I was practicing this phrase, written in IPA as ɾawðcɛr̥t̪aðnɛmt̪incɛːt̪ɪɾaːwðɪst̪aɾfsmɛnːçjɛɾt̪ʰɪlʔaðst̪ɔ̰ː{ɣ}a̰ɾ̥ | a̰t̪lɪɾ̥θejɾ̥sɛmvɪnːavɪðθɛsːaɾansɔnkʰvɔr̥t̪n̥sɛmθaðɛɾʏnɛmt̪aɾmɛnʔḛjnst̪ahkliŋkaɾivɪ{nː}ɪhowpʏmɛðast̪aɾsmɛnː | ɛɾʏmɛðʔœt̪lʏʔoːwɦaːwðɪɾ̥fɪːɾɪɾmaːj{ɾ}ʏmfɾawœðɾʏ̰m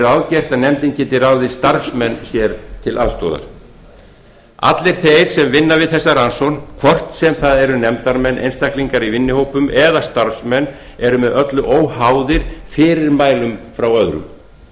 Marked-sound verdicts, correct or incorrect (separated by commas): incorrect, correct, incorrect